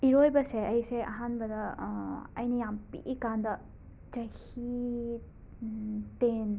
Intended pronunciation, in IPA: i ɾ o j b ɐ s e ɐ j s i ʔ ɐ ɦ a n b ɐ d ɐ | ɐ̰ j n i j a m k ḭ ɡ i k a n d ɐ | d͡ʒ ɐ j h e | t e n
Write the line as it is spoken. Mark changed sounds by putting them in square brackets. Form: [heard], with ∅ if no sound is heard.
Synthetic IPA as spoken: i ɾ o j b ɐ s e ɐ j s [e] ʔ ɐ ɦ a n b ɐ d ɐ | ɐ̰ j n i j a m [p] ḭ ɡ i k a n d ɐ | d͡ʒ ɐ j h [i] | t e n

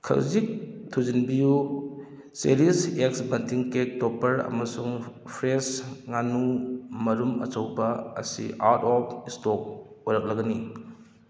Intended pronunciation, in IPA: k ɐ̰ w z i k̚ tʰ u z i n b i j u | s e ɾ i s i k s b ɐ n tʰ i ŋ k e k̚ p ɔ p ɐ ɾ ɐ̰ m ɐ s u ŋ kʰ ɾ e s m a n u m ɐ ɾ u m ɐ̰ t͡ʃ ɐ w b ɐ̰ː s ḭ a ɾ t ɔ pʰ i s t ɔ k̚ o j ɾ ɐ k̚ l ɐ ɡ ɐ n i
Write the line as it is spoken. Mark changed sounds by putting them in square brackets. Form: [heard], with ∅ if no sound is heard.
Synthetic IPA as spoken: [kʰ] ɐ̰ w z i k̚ tʰ u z i n b i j u | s e ɾ i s [e] k s b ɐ n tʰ i ŋ k e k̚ [t] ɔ p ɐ ɾ ɐ̰ m ɐ s u ŋ [pʰ] ɾ e s [ŋ] a n u m ɐ ɾ u m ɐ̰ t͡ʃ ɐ w b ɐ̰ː s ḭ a ɾ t ɔ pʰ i s t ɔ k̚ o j ɾ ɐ k̚ l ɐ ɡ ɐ n i

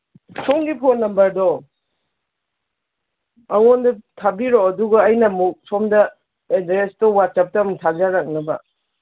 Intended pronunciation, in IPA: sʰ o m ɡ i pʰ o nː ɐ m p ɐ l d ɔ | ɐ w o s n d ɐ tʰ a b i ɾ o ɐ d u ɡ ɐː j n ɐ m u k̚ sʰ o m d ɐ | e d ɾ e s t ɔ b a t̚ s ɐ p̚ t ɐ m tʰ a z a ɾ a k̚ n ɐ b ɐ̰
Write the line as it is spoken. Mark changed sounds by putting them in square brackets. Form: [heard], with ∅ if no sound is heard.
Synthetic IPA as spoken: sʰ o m ɡ i pʰ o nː ɐ m [b] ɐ [ɾ] d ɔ | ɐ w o [∅] n d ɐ tʰ a b i ɾ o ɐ d u ɡ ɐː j n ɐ m u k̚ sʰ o m d ɐ | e d ɾ e s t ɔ [w] a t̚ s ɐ p̚ t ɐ m tʰ a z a ɾ a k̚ n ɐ b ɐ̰

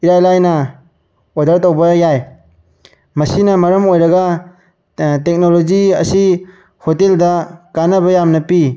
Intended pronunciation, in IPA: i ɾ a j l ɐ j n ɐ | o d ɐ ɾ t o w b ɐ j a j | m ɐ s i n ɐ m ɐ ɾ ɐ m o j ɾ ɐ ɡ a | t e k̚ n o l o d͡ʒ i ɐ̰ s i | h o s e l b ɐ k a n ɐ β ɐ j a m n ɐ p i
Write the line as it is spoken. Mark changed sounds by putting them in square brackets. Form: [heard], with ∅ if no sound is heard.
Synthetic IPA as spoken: i ɾ a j l [a] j n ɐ | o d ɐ ɾ t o w b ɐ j a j | m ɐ s i n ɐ m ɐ ɾ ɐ m o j ɾ ɐ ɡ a | t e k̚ n o l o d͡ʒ i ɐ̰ s i | h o [t] e l [d] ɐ k a n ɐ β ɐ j a m n ɐ p i

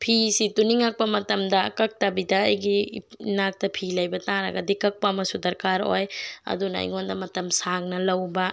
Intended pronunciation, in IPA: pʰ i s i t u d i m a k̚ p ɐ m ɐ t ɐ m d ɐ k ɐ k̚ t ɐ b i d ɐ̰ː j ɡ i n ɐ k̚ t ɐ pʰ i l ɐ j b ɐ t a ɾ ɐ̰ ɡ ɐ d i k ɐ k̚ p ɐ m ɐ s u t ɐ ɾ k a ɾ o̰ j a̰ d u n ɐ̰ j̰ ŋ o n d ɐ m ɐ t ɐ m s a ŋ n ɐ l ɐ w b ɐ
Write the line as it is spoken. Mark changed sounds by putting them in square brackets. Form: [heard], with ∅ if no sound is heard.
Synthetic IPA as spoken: pʰ i s i t u [n] i [ŋ] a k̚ p ɐ m ɐ t ɐ m d ɐ k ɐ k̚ t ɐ b i d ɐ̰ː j ɡ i n [a] k̚ t ɐ pʰ i l ɐ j b ɐ t a ɾ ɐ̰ ɡ ɐ d i k ɐ k̚ p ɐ m ɐ s u [d] ɐ ɾ k a ɾ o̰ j [ɐ̰] d u n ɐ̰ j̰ ŋ o n d ɐ m ɐ t ɐ m s a ŋ n ɐ l ɐ w b ɐ

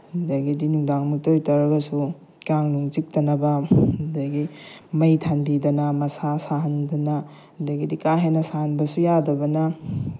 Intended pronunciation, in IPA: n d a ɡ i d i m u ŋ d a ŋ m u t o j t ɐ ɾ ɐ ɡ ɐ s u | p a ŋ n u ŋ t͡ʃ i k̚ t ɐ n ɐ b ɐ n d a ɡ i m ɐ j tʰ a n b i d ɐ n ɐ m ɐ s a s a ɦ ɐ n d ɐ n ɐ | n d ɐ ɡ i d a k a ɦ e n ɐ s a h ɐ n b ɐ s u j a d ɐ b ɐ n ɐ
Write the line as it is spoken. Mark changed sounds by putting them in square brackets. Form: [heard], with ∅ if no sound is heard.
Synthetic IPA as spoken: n d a ɡ i d i [n] u ŋ d a ŋ m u t o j t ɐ ɾ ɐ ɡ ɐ s u | [k] a ŋ n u ŋ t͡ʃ i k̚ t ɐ n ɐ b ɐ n d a ɡ i m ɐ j tʰ a n b i d ɐ n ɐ m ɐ s a s a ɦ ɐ n d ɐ n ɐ | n d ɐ ɡ i d [i] k a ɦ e n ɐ s a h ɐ n b ɐ s u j a d ɐ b ɐ n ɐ

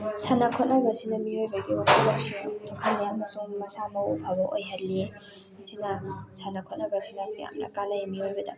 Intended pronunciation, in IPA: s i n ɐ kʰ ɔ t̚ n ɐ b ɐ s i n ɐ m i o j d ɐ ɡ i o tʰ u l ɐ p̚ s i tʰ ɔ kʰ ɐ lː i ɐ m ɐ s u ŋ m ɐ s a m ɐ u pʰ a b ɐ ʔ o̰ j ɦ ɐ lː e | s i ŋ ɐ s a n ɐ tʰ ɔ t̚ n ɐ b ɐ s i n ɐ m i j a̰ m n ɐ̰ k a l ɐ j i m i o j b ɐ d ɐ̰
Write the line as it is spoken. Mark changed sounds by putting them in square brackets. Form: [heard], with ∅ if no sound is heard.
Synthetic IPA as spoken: s [a] n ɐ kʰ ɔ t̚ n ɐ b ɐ s i n ɐ m i o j [b] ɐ ɡ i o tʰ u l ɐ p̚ s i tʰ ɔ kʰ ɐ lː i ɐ m ɐ s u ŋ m ɐ s a m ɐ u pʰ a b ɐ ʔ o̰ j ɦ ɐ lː e | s i [n] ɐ s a n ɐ [kʰ] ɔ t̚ n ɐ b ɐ s i n ɐ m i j a̰ m n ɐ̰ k a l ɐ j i m i o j b ɐ d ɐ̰

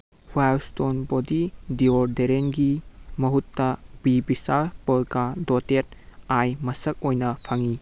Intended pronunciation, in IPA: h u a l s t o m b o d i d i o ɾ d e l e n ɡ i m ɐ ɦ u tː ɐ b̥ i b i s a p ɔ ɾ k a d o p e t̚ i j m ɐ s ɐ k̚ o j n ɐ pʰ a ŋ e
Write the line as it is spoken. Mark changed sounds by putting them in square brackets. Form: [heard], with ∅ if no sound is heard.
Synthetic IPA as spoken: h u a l s t o [n] b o d i d i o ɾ d e [ɾ] e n ɡ i m ɐ ɦ u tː ɐ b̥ i b i s a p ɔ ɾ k a d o [t] e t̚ [a] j m ɐ s ɐ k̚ o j n ɐ pʰ a ŋ [i]

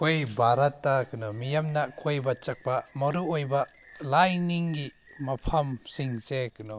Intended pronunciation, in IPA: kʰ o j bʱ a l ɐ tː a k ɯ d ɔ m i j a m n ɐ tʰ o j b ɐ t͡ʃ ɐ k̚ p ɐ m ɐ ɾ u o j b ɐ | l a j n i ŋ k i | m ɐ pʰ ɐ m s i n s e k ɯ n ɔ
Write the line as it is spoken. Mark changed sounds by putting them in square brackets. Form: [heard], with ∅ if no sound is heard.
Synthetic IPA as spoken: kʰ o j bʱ a [ɾ] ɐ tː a k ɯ [n] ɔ m i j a m n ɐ [kʰ] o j b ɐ t͡ʃ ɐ k̚ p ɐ m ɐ ɾ u o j b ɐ | l a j n i ŋ [ɡ] i | m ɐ pʰ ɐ m s i [ŋ] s e k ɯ n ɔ

